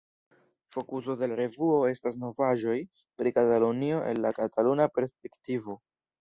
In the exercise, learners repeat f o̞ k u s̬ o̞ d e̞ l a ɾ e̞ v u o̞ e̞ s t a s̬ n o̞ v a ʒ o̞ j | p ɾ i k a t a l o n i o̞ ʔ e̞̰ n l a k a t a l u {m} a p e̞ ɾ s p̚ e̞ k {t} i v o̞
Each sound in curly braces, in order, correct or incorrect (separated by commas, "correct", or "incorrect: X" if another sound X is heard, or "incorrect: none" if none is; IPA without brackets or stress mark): incorrect: n, correct